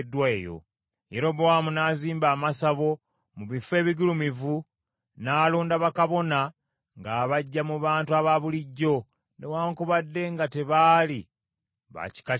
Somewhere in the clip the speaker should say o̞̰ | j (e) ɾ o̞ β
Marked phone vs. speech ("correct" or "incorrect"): correct